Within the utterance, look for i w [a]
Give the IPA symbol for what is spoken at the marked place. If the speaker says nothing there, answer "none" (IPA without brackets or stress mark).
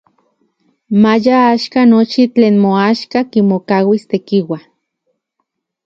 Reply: a